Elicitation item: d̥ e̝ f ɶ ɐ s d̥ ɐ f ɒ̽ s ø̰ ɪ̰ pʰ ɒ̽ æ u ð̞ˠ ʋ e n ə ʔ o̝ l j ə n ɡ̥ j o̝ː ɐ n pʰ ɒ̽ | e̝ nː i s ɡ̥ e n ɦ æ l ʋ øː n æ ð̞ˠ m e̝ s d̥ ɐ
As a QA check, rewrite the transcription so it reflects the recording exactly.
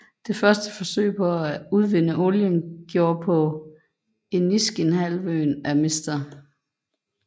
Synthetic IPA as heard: d̥ e̝ f ɶ ɐ s d̥ ə f ɒ̽ s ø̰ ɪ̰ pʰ ɒ̽ æ u ð̞ˠ ʋ e n ə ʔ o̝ l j ə n ɡ̥ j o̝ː ɐ pʰ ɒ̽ | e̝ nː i s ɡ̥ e n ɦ æ l ʋ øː n æ m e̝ s d̥ ɐ

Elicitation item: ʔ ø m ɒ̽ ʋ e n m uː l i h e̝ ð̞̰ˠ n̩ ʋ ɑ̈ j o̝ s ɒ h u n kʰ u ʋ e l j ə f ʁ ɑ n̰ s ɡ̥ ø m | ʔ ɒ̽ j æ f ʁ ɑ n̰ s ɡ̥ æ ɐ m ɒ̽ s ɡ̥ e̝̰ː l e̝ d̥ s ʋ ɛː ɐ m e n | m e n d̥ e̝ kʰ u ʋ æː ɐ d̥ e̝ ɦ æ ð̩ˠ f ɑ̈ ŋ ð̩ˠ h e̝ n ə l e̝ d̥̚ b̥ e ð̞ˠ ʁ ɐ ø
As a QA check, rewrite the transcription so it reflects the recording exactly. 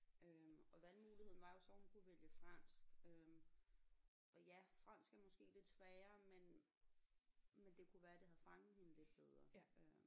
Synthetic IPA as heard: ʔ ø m ɒ̽ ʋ æ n m uː l i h e̝ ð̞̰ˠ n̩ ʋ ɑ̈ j o̝ s ɒ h u n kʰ u ʋ e l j ə f ʁ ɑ n̰ s ɡ̥ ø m | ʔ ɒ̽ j æ f ʁ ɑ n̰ s ɡ̥ æ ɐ m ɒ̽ s ɡ̥ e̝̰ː l e̝ d̥ s ʋ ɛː ɐ m e n | m e n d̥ e̝ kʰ u ʋ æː ɐ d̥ e̝ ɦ æ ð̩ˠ f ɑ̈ ŋ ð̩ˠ h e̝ n ə l e̝ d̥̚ b̥ e ð̞ˠ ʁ ɐ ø

